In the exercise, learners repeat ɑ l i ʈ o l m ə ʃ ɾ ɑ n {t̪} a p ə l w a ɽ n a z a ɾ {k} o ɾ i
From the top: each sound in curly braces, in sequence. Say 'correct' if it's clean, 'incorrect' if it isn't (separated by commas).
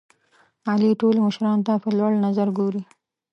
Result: correct, incorrect